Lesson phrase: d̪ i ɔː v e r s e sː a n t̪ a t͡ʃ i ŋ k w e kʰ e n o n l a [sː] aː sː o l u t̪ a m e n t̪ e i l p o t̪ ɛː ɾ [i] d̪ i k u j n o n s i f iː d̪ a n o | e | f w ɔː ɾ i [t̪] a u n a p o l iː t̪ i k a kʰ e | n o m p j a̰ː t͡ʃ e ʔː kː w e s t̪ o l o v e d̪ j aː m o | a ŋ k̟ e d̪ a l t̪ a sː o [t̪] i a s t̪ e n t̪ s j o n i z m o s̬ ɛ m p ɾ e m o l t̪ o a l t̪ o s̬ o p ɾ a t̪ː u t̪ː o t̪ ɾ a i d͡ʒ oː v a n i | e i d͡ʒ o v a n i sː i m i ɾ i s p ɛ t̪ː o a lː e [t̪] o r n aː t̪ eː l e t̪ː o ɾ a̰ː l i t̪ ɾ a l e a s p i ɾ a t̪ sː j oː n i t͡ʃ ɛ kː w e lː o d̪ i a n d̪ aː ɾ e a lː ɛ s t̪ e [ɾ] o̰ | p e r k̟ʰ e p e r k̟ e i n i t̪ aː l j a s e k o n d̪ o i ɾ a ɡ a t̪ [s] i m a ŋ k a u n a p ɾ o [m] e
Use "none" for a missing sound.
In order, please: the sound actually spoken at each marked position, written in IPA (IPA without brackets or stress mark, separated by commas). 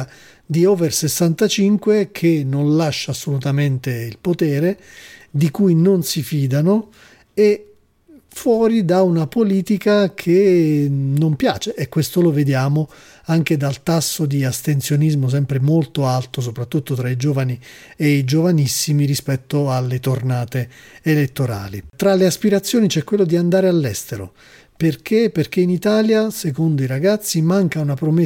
ʃː, e, d̪, d̪, t̪, ɾ, sː, m